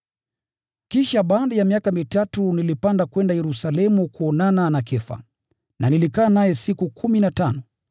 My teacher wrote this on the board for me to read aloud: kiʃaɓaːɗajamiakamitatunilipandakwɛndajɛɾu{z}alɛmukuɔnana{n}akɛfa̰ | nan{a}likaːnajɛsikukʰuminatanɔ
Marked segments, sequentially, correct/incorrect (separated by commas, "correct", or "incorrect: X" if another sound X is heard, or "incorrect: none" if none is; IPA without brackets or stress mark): incorrect: s, correct, incorrect: i